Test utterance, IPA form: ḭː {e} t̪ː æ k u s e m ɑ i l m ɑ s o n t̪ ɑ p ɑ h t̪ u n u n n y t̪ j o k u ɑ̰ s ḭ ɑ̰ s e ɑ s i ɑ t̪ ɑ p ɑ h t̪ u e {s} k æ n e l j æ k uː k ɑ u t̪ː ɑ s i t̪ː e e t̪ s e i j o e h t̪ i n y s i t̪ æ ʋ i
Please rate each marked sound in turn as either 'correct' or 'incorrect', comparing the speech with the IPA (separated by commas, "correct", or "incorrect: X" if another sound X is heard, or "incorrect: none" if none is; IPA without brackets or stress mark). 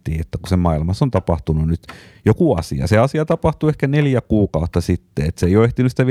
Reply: correct, incorrect: h